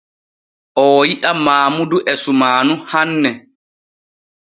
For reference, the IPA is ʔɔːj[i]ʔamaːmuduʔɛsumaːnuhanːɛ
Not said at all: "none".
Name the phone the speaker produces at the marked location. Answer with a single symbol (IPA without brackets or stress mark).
i